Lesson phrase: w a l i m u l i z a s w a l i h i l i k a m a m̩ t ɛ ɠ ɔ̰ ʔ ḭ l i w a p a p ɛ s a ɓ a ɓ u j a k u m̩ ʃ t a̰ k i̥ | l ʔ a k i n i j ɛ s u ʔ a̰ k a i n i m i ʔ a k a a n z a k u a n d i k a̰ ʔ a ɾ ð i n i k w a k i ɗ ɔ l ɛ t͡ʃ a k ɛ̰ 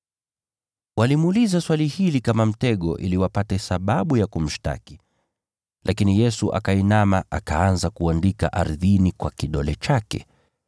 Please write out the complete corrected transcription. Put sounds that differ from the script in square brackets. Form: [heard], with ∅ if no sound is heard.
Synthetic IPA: w a l i m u l i z a s w a l i h i l i k a m a m̩ t ɛ ɠ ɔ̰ ʔ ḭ l i w a p a [t] ɛ s a ɓ a ɓ u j a k u m̩ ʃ t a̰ k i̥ | l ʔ a k i n i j ɛ s u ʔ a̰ k a i n [a] m [a] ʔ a k a a n z a k u a n d i k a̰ ʔ a ɾ ð i n i k w a k i ɗ ɔ l ɛ t͡ʃ a k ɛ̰